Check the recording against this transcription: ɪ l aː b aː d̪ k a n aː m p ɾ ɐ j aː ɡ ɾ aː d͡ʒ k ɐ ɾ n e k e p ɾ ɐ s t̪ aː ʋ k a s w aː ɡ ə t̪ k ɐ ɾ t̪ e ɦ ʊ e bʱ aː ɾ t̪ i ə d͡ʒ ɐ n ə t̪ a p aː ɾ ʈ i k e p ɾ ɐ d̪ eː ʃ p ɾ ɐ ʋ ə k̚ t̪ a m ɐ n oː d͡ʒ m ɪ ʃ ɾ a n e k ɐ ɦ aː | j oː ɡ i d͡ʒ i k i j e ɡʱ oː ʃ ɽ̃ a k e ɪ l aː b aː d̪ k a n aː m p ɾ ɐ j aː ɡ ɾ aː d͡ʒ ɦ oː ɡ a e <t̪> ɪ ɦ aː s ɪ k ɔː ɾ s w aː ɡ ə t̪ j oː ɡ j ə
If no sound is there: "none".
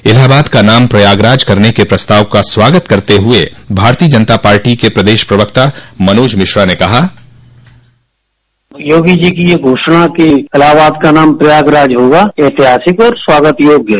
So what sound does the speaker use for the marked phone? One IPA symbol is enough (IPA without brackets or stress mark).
t̪